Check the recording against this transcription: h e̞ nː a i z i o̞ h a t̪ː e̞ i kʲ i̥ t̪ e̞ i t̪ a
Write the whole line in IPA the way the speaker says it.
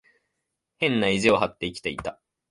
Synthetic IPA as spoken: h ẽ̞ nː a i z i o̞ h a t̪ː e̞ i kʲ i̥ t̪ e̞ i t̪ a